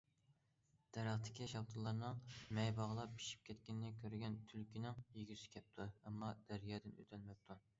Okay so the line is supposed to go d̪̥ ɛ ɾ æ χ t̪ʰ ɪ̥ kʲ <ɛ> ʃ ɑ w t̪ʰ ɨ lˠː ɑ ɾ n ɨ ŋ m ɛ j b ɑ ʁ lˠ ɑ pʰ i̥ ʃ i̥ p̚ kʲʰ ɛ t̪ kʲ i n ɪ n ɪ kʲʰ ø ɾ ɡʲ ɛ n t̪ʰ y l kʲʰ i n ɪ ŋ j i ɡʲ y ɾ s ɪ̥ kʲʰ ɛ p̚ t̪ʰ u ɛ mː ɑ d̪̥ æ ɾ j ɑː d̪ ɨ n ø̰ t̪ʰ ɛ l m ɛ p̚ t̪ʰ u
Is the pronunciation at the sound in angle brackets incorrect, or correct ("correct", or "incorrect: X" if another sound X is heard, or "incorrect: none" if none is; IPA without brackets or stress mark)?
incorrect: i